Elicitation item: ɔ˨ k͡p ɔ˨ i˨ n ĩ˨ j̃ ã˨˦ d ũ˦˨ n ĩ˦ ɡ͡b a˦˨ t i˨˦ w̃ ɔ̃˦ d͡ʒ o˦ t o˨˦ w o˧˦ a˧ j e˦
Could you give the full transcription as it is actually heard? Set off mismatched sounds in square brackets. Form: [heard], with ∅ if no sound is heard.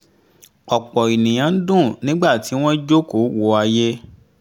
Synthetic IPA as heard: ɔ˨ k͡p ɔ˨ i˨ n ĩ˨ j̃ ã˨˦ d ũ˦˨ n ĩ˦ ɡ͡b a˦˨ t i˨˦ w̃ ɔ̃˦ d͡ʒ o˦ [k] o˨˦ w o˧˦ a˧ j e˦